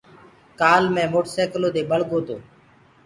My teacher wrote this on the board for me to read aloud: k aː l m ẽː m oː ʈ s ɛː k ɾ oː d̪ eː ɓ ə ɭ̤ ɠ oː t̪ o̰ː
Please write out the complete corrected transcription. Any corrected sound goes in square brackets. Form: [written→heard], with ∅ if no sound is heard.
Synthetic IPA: k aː l m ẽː m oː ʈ s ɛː k [ɾ→l] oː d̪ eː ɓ ə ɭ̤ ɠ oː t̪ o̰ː